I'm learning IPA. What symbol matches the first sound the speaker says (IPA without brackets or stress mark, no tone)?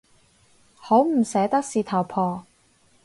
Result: h